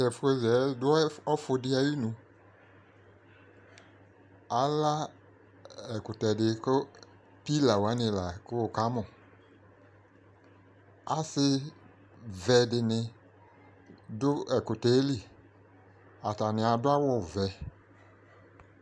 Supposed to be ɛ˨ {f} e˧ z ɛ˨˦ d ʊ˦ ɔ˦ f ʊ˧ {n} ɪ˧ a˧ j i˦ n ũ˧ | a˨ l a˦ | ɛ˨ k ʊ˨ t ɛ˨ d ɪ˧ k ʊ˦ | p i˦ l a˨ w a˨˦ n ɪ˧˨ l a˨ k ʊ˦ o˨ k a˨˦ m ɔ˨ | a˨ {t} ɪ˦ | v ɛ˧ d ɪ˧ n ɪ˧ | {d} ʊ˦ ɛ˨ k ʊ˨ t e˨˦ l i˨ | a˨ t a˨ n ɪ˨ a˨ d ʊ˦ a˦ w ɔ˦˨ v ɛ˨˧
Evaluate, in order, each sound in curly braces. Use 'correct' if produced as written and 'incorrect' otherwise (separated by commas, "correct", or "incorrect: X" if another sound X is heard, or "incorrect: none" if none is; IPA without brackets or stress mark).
correct, incorrect: d, incorrect: s, correct